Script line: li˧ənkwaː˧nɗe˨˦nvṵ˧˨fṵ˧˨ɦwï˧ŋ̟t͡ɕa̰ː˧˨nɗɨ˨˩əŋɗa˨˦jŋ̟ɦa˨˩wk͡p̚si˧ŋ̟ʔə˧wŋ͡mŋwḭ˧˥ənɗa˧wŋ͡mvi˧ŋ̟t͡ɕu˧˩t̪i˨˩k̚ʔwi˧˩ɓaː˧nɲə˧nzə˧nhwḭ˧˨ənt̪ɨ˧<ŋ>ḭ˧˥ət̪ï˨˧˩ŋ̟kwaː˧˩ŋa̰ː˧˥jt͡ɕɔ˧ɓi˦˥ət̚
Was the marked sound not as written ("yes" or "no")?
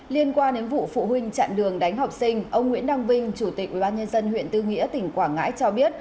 no